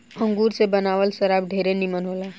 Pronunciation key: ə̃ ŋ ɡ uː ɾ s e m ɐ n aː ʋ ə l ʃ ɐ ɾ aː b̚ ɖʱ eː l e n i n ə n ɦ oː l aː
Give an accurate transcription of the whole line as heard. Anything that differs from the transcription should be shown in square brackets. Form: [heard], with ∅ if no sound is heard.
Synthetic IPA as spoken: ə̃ ŋ ɡ uː ɾ s e [b] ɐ n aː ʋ ə l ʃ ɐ ɾ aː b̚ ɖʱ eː [ɾ] e n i [m] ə n ɦ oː l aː